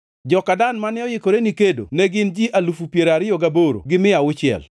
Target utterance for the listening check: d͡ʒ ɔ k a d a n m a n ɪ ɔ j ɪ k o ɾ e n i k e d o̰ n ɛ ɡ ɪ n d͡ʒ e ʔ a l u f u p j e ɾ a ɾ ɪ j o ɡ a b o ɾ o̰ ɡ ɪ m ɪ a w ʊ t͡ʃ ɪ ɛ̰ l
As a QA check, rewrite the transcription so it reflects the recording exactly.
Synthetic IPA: d͡ʒ ɔ k a d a n m a n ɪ ɔ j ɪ k o ɾ e n i k e d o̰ n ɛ ɡ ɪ n d͡ʒ i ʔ a l u f u p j e ɾ a ɾ ɪ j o ɡ a b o ɾ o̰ ɡ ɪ m ɪ a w ʊ t͡ʃ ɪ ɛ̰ l

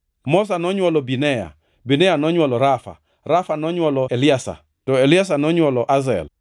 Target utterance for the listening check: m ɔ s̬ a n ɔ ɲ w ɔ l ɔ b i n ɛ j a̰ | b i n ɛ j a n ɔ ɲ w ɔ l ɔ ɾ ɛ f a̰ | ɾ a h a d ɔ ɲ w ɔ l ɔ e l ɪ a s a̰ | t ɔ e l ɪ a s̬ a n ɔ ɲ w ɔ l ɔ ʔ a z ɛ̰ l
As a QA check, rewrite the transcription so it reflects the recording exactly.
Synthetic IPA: m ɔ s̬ a n ɔ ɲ w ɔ l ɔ b i n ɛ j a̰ | b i n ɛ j a n ɔ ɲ w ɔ l ɔ ɾ a f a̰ | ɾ a f a n ɔ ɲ w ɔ l ɔ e l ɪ a s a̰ | t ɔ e l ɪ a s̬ a n ɔ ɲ w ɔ l ɔ ʔ a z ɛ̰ l

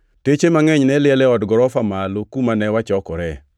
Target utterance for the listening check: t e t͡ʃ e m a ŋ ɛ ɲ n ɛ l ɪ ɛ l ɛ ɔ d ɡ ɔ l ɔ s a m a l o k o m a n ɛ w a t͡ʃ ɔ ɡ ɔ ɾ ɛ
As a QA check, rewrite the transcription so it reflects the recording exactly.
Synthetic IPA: t e t͡ʃ e m a ŋ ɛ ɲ n ɛ l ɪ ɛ l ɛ ɔ d ɡ ɔ ɾ ɔ f a m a l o k u m a n ɛ w a t͡ʃ ɔ k ɔ ɾ ɛ

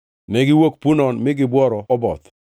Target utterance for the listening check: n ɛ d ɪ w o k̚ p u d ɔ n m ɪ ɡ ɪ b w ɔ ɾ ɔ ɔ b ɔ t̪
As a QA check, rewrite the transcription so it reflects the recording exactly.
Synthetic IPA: n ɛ ɡ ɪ w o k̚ p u n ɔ n m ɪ ɡ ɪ b w ɔ ɾ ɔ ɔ b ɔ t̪

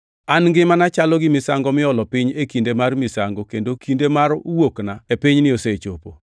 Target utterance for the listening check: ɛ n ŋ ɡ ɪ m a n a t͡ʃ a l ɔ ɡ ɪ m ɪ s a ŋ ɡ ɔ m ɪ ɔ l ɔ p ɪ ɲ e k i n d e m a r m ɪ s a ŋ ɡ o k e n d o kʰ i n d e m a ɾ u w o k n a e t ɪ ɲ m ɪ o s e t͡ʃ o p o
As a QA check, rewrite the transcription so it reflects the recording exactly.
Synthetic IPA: a n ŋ ɡ ɪ m a n a t͡ʃ a l ɔ ɡ ɪ m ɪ s a ŋ ɡ ɔ m ɪ ɔ l ɔ p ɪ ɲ e k i n d e m a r m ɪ s a ŋ ɡ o k e n d o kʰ i n d e m a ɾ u w o k n a e p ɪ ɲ n ɪ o s e t͡ʃ o p o

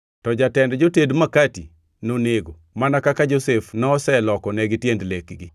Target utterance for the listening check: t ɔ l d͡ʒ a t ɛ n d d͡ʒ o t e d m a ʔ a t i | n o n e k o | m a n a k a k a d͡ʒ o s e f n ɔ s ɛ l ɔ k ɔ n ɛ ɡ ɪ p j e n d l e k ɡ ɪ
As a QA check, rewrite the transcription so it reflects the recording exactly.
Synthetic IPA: t ɔ d͡ʒ a t ɛ n d d͡ʒ o t e d m a k a t i | n o n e ɡ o | m a n a k a k a d͡ʒ o s e f n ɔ s ɛ l ɔ k ɔ n ɛ ɡ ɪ t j e n d l e k ɡ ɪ

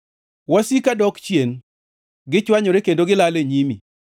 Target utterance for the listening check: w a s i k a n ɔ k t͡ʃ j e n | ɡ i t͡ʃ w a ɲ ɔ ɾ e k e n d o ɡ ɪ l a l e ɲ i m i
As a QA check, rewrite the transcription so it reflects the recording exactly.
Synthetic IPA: w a s i k a d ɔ k t͡ʃ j e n | ɡ ɪ t͡ʃ w a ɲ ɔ ɾ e k e n d o ɡ ɪ l a l e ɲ i m i

